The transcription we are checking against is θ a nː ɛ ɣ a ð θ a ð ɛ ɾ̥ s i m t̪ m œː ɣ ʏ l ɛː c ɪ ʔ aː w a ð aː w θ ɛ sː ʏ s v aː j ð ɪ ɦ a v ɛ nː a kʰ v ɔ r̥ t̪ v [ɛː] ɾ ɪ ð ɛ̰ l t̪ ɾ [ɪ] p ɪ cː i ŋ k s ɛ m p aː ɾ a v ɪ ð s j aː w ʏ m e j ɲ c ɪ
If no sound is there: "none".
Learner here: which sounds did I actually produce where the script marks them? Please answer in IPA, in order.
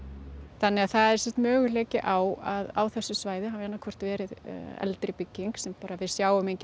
ɛː, ɪ

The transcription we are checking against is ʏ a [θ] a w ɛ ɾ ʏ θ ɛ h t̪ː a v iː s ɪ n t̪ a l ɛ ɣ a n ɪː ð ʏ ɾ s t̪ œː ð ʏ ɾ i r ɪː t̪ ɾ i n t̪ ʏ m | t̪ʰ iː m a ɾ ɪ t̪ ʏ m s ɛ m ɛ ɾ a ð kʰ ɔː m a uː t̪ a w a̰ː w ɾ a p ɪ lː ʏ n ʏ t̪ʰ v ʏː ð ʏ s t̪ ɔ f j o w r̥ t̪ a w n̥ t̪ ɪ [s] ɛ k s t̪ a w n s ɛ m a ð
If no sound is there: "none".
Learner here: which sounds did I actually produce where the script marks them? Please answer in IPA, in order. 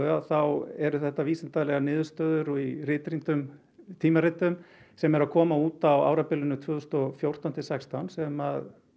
θ, s

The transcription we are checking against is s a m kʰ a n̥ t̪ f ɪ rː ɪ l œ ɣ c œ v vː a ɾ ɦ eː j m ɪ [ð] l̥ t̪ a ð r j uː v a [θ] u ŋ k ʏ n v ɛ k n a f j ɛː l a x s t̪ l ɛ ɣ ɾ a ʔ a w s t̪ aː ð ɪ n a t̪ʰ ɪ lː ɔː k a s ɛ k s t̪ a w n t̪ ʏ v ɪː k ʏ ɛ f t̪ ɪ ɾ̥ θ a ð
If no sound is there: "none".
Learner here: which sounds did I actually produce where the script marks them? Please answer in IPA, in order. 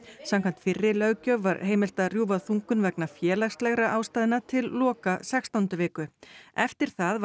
none, θ

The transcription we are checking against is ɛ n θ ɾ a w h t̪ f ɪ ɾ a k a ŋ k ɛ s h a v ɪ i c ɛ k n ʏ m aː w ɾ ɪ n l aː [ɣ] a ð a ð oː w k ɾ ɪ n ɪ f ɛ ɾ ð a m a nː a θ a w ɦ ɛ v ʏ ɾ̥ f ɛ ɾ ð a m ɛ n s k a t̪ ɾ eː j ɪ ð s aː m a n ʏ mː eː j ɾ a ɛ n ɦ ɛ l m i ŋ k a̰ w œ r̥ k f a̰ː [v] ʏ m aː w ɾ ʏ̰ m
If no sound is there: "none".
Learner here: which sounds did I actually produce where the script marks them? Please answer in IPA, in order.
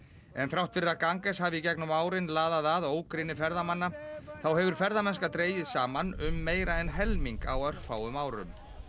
ð, w

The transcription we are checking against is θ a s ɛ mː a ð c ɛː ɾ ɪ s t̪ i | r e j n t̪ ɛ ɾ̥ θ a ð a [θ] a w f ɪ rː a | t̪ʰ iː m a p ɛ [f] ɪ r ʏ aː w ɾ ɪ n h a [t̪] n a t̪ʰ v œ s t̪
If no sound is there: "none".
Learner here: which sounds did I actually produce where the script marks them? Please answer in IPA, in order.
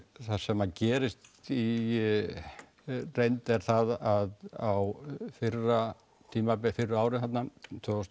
ð, f, t̪

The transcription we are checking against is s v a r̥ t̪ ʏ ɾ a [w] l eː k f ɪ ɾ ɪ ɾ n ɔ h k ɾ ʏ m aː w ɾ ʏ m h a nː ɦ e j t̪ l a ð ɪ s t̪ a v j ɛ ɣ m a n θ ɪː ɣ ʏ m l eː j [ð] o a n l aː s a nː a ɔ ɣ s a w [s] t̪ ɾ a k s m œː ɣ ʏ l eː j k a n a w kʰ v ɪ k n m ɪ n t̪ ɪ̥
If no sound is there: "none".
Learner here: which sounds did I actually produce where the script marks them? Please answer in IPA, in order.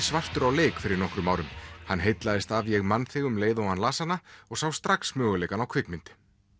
w, ð, s

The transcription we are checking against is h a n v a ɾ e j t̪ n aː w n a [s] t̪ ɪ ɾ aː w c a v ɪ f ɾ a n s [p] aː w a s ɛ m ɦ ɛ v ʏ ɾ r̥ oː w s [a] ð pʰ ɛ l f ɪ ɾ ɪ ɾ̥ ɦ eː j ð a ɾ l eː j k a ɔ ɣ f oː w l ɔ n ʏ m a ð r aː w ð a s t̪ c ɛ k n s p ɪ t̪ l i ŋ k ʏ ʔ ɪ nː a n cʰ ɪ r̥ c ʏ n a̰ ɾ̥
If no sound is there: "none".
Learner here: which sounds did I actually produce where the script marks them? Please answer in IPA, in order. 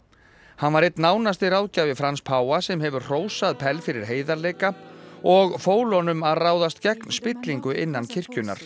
s, pʰ, a

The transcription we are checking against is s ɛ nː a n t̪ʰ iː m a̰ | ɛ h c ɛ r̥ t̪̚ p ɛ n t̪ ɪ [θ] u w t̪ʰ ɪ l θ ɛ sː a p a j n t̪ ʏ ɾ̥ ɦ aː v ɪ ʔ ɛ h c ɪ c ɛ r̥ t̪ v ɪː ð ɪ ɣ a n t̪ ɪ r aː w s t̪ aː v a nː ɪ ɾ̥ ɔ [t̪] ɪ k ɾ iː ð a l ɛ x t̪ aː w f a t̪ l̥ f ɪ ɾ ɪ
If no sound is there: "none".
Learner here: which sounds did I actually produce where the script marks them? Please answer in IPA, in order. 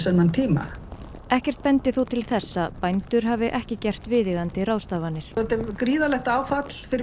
θ, t̪

